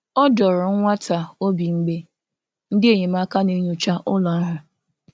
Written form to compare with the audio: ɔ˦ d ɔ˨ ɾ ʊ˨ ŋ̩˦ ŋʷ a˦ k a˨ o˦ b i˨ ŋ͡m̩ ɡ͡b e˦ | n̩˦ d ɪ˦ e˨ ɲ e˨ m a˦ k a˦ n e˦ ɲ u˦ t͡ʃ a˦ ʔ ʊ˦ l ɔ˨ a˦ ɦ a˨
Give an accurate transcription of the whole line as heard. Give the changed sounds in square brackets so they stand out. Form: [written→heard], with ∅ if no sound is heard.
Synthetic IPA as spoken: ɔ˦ d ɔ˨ ɾ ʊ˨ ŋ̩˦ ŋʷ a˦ [k→t] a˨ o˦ b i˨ ŋ͡m̩ ɡ͡b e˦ | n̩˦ d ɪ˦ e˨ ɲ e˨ m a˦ k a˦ n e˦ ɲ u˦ t͡ʃ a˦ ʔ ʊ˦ l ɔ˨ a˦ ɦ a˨